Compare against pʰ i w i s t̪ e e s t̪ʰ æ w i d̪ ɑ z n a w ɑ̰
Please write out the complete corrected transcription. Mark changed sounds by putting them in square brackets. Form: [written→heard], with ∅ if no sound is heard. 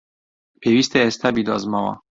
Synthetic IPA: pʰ [i→e] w i s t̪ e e s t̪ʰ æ [w→b] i d̪ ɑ z [n→m] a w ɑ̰

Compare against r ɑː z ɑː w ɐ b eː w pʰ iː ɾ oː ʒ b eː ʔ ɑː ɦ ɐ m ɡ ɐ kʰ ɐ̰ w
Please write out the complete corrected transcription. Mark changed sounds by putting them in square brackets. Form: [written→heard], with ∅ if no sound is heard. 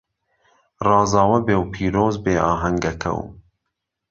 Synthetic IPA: r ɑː z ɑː w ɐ b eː w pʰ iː ɾ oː [ʒ→z] b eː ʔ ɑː ɦ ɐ [m→ŋ] ɡ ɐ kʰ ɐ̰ w

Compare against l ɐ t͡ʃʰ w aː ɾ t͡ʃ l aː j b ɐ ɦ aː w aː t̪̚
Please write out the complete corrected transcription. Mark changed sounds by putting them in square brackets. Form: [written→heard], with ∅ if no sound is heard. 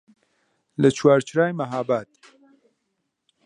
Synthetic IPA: l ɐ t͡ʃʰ w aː ɾ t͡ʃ [l→ɾ] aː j [b→m] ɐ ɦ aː [w→b] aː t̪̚

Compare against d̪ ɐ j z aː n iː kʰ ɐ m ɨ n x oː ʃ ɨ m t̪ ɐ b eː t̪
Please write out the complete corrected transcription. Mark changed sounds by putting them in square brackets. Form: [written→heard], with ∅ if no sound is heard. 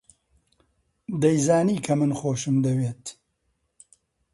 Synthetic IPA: d̪ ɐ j z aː n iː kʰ ɐ m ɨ n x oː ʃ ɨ m [t̪→d̪] ɐ [b→w] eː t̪

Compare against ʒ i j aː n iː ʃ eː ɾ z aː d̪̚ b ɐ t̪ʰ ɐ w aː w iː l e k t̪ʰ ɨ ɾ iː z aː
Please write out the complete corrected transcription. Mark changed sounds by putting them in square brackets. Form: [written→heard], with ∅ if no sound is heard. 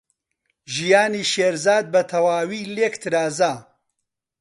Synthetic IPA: ʒ i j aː n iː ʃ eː ɾ z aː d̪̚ b ɐ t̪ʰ ɐ w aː w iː l e k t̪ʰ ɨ ɾ [iː→aː] z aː

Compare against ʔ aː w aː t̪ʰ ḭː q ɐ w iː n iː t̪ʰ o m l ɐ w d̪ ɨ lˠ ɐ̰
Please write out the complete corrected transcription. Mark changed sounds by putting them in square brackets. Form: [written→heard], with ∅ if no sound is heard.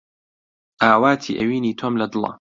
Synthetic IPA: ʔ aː w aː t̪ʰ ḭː [q→ʔ] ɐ w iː n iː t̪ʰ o m l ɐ [w→∅] d̪ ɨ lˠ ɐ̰

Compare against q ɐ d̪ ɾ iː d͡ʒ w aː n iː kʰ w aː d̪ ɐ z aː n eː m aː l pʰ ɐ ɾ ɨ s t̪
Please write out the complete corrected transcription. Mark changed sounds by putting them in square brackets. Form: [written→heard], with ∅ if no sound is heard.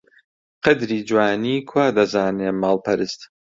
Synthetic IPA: q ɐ d̪ ɾ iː d͡ʒ w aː n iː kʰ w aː d̪ ɐ z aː n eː m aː l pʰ ɐ ɾ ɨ s t̪

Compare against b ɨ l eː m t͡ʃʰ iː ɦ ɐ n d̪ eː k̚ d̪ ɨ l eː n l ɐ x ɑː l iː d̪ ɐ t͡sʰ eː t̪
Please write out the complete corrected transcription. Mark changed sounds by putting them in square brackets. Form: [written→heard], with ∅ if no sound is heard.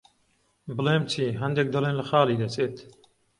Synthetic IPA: b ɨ l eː m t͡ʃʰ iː ɦ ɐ n d̪ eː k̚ d̪ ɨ l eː n l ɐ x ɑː l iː d̪ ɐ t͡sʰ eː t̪

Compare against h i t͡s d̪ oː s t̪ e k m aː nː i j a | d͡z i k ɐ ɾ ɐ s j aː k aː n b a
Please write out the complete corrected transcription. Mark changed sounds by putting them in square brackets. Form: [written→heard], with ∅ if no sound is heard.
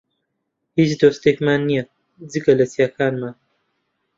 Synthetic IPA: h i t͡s d̪ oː s t̪ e k m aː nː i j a | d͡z i k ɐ [ɾ→l] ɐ s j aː k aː n [b→m] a

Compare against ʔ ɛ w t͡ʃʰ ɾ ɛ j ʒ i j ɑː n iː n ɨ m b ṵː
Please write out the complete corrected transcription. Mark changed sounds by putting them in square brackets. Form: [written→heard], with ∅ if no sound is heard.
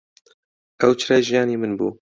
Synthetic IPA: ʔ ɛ w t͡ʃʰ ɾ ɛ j ʒ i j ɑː n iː [n→m] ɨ [m→n] b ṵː

